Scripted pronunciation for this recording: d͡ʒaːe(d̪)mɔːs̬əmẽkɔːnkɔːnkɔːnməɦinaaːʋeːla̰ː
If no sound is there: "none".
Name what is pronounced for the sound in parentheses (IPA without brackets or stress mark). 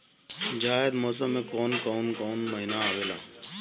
d̪